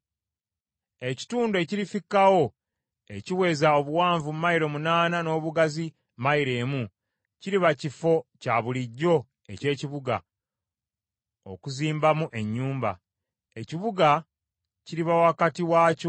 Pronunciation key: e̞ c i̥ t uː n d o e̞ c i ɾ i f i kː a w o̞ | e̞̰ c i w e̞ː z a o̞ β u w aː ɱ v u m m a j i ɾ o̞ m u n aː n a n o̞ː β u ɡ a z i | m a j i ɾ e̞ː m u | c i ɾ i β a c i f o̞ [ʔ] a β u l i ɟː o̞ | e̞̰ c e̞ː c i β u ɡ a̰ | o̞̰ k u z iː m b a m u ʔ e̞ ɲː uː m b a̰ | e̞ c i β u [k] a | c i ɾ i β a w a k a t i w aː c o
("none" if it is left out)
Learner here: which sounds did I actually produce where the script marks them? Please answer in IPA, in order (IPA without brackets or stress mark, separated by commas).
c, ɡ